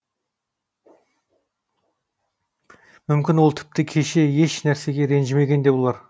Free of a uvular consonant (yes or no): yes